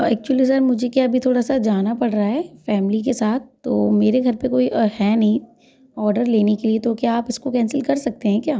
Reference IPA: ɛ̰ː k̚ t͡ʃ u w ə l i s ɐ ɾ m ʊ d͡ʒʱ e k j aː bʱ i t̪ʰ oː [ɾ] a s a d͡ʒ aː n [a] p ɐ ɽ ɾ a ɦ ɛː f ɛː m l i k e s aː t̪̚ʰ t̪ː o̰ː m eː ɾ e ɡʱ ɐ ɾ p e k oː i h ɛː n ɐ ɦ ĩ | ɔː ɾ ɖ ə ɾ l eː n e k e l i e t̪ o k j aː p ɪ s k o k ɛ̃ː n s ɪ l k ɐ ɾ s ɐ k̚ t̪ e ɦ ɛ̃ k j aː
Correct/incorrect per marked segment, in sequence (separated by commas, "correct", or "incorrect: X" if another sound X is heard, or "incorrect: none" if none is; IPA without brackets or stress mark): incorrect: ɽ, correct